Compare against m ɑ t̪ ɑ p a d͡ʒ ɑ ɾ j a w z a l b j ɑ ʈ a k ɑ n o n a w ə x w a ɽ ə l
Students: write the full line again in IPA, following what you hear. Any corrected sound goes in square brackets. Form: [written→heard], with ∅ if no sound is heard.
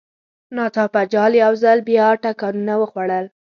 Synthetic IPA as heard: [m→n] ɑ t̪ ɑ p a d͡ʒ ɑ [ɾ→l] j a w z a l b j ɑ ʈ a k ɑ n [o→u] n a w ə x w a ɽ ə l

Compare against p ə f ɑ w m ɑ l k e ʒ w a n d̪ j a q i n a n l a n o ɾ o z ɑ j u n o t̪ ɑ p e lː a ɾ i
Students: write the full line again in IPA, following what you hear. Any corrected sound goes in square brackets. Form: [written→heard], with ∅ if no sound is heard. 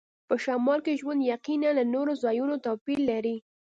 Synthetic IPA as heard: p ə [f→ʃ] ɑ [w→∅] m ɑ l k e ʒ w a n d̪ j a q i n a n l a n o ɾ o z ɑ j u n o t̪ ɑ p [e→i] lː a ɾ i

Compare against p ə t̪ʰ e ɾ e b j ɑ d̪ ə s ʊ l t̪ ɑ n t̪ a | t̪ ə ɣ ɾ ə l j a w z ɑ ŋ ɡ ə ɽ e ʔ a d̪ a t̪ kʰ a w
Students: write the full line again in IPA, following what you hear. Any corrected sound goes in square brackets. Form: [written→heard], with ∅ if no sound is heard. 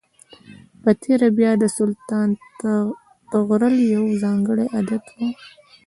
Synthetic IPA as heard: p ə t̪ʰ e ɾ [e→a] b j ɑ d̪ ə s ʊ l t̪ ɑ n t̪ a | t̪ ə ɣ ɾ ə l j a w z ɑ ŋ ɡ ə ɽ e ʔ a d̪ a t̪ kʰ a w

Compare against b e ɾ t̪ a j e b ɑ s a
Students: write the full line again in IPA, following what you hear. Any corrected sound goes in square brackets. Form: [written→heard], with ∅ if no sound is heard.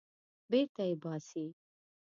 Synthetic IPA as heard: b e ɾ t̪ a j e b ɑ s [a→i]

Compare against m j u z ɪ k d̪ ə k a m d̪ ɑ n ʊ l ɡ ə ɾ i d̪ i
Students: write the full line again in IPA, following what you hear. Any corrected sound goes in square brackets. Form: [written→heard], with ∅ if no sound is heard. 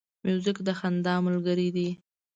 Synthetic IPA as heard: m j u z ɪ k d̪ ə [k→x] a [m→n] d̪ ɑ [n→m] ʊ l ɡ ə ɾ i d̪ i

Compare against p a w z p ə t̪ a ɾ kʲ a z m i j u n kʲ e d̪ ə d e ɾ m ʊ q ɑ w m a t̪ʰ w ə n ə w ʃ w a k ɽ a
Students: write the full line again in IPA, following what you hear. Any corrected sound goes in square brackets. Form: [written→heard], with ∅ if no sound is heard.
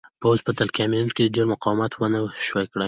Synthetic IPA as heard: p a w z p ə t̪ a [ɾ→l] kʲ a [z→∅] m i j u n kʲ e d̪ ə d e ɾ m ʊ q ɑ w m a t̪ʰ w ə n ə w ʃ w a k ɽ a

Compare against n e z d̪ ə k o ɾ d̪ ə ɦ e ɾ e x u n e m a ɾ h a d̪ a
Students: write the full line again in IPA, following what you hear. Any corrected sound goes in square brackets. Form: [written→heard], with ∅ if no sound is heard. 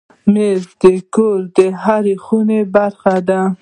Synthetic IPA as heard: [n→m] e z d̪ ə k o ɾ d̪ ə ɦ [e→a] ɾ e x u n e [m→b] a ɾ [h→x] a d̪ a

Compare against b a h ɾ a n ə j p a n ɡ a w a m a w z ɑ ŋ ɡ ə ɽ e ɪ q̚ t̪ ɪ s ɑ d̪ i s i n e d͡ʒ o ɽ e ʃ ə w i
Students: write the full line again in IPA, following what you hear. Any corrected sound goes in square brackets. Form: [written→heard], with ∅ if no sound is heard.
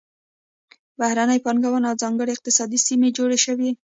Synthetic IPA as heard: b a h ɾ a n ə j p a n ɡ a w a [m→n] a w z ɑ ŋ ɡ ə ɽ e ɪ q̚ t̪ ɪ s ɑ d̪ i s i [n→m] e d͡ʒ o ɽ e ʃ ə w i

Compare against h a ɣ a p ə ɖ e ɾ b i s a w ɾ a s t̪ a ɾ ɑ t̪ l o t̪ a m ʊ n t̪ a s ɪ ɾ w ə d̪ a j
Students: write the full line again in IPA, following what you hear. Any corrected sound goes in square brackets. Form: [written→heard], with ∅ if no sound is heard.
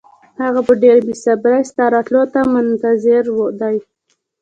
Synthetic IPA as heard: h a ɣ a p ə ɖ e ɾ b i s a [w→b] ɾ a s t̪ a ɾ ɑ t̪ l o t̪ a m ʊ n t̪ a [s→z] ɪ ɾ w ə d̪ a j

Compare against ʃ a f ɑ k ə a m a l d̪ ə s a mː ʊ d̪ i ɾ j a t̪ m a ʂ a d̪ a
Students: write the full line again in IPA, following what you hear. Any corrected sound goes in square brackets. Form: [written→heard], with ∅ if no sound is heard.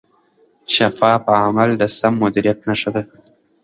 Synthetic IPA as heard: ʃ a f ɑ [k→p] ə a m a l d̪ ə s a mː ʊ d̪ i ɾ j a t̪ [m→n] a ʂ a d̪ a

